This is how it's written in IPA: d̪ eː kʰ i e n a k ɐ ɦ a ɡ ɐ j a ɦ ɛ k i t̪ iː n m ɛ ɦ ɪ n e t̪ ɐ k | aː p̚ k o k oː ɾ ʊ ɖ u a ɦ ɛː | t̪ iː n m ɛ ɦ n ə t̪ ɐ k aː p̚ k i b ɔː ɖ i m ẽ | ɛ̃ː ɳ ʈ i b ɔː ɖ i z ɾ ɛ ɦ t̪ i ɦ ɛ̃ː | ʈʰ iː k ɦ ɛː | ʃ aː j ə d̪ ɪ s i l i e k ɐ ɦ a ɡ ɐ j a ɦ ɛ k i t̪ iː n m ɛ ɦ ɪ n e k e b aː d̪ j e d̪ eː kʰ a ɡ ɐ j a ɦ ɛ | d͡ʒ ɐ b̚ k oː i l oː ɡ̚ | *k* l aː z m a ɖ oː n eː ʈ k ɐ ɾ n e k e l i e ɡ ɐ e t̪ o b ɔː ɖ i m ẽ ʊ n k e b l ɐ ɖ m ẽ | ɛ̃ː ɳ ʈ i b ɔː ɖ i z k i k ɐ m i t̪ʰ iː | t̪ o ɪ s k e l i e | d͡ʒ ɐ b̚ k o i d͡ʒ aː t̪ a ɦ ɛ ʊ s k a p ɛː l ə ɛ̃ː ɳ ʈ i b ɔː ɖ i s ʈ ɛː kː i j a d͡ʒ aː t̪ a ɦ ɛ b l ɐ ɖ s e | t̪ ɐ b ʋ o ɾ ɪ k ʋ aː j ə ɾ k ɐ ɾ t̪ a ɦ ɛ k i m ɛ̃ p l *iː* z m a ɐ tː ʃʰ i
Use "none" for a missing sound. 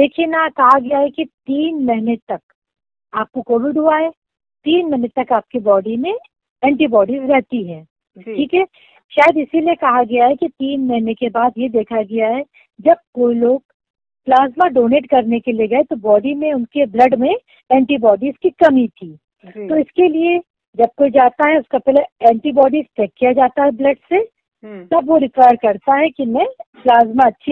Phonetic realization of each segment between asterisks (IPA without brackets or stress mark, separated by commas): p, aː